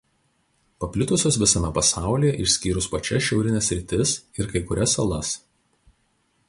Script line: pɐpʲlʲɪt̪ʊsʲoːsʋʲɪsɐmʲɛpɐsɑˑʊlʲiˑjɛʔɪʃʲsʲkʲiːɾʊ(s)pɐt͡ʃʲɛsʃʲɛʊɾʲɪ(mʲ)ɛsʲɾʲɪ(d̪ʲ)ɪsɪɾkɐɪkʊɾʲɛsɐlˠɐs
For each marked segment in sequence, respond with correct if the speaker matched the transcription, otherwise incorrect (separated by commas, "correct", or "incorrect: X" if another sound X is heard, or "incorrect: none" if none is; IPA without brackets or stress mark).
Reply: correct, incorrect: nʲ, incorrect: t̪ʲ